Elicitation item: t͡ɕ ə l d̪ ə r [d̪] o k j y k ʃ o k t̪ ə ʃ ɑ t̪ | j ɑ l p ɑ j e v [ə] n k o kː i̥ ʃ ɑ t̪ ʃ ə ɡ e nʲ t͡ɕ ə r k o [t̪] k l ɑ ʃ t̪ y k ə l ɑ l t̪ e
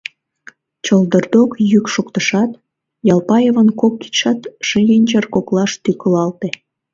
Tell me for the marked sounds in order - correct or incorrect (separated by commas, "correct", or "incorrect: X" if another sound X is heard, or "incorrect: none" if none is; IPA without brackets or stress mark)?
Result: correct, correct, incorrect: none